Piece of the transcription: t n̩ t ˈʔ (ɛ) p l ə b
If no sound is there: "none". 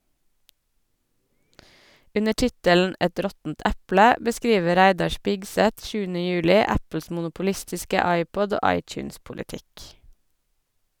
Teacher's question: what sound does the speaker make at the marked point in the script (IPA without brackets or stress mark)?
æ